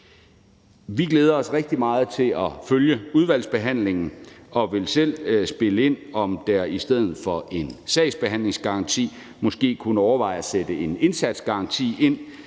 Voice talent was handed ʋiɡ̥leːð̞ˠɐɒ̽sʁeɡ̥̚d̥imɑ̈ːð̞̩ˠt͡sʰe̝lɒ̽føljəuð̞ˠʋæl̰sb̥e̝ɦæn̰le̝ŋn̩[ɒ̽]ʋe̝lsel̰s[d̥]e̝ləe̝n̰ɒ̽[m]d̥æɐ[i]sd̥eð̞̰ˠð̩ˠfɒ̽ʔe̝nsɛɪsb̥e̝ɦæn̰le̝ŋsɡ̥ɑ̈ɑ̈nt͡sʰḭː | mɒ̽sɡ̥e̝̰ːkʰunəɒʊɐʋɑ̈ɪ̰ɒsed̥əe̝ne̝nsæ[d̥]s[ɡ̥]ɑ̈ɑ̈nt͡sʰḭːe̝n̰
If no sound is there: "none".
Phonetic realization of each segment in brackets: ɒ̽, b̥, m, i, d̥, ɡ̥

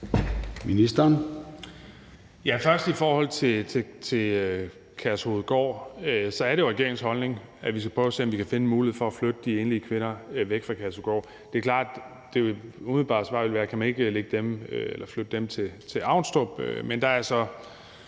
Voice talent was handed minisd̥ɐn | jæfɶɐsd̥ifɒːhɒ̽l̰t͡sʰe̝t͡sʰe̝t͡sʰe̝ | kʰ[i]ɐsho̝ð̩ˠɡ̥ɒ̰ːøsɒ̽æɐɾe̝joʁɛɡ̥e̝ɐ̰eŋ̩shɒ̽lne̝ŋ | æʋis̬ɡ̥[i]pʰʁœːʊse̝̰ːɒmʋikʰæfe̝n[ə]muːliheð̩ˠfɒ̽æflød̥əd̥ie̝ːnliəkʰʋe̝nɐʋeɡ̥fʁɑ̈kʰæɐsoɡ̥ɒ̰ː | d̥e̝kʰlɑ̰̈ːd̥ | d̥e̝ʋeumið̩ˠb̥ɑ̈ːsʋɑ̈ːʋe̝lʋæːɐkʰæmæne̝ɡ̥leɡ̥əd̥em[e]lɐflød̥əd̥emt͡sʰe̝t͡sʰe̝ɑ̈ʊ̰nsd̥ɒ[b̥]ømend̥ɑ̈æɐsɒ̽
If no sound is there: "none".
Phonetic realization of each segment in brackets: æ, æ, ə, e, b̥

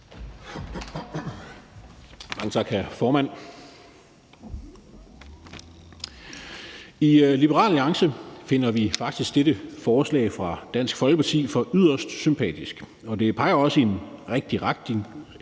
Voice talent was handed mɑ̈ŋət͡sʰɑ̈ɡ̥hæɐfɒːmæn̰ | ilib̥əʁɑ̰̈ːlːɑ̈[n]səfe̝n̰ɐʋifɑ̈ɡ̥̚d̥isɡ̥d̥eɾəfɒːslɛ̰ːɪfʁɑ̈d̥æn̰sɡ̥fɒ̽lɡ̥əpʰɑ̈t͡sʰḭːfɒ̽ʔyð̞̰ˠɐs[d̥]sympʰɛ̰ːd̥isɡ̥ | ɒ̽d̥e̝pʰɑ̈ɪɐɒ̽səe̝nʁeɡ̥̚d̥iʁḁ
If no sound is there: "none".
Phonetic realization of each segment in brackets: ŋ, d̥

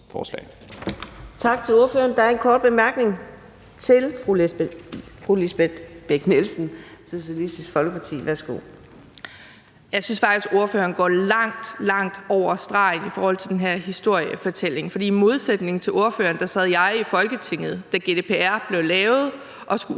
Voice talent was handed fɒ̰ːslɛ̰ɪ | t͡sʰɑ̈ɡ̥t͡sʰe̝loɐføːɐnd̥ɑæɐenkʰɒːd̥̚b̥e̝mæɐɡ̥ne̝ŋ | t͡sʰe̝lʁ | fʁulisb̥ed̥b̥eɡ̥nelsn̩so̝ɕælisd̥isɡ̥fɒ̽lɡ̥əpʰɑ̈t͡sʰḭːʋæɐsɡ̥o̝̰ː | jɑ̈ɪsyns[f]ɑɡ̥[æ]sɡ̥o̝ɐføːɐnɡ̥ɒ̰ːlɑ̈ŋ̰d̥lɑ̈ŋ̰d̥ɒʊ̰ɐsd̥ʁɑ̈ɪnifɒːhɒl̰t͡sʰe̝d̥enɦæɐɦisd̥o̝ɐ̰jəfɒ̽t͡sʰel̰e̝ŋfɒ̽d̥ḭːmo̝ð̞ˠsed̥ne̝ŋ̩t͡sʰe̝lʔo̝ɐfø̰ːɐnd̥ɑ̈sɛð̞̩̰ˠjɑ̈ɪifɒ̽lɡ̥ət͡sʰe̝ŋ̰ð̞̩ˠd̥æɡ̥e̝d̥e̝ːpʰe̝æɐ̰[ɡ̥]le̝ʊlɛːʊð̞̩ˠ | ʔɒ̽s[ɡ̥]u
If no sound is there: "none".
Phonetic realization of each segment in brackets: f, i, b̥, ɡ̥

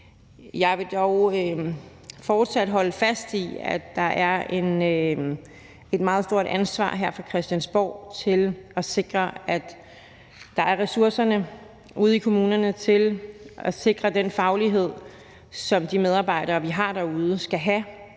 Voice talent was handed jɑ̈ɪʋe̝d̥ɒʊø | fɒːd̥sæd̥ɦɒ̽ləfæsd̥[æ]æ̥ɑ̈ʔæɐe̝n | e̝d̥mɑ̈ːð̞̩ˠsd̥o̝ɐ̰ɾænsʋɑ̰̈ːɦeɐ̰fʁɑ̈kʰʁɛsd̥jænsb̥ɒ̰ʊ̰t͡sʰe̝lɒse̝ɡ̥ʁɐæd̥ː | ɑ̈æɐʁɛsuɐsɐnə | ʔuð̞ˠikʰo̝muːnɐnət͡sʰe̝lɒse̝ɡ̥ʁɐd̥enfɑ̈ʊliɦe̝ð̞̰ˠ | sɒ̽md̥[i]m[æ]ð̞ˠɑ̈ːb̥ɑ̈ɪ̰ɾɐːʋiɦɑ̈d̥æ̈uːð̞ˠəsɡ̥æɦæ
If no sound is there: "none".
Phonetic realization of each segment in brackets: i, i, e

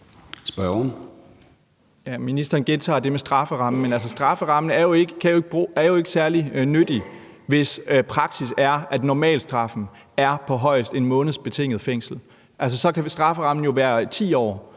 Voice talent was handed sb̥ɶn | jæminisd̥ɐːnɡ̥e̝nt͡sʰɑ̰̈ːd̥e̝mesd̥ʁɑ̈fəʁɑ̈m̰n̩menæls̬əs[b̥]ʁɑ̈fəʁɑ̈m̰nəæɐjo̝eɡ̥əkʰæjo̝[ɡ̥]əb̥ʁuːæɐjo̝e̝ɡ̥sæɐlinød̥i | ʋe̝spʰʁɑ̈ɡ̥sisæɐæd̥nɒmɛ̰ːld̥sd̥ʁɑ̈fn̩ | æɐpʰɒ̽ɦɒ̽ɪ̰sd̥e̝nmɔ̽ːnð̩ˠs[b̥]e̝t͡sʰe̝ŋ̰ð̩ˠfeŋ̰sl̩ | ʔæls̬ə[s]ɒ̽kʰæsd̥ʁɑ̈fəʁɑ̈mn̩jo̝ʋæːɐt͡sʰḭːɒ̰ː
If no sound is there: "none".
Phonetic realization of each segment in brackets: d̥, ɡ̥, b̥, s

